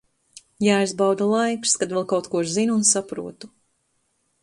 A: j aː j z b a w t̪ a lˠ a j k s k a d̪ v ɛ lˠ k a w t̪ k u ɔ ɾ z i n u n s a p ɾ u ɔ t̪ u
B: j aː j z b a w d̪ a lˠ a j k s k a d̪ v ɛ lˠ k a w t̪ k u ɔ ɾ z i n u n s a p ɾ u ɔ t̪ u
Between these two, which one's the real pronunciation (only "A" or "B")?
B